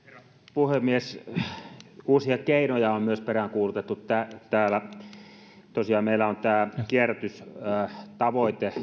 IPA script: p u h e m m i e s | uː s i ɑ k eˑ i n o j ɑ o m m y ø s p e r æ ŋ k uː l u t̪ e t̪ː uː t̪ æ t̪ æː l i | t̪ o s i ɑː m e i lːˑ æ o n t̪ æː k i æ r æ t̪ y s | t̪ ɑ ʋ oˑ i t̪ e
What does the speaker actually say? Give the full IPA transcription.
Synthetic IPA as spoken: p u h e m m i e s | uː s i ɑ k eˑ i n o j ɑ o m m y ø s p e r æ ŋ k uː l u t̪ e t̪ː u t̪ æ t̪ æː l æ | t̪ o s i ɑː m e i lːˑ æ o n t̪ æː k i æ r æ t̪ y s | t̪ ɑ ʋ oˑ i t̪ e